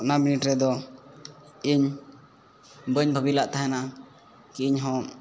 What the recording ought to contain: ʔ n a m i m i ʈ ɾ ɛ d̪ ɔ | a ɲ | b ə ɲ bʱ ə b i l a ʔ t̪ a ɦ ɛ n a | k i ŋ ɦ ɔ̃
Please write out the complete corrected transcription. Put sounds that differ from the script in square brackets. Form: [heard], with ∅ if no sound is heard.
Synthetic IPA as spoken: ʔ n a m i [n] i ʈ ɾ ɛ d̪ ɔ | [i] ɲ | b ə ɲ bʱ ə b i l a ʔ t̪ a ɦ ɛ n a | k i [ɲ] ɦ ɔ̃